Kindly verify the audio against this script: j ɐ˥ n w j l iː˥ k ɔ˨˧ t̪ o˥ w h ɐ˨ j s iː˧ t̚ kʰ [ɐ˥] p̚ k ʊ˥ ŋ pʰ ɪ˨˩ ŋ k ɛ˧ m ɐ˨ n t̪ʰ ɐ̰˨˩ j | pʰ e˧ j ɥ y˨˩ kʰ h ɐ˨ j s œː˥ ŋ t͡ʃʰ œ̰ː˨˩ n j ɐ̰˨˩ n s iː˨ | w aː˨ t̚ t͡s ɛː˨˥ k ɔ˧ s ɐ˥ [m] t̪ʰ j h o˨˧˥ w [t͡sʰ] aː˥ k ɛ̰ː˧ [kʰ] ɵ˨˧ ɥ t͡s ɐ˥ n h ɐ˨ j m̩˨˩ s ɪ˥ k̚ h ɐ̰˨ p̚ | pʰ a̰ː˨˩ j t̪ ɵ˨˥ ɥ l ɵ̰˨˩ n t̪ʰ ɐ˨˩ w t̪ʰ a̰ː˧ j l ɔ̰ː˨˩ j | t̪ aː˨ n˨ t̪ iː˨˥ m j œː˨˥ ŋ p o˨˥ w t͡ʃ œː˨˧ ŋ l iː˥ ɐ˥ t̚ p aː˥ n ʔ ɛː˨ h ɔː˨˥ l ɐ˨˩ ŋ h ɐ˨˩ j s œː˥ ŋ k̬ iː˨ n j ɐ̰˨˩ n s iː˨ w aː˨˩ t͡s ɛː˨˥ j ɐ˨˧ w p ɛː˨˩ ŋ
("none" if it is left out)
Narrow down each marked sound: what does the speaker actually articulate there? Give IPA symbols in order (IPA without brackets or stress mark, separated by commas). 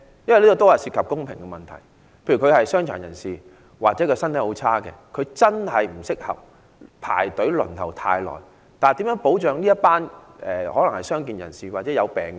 ɐ˨, n, t͡sʰ, kʰ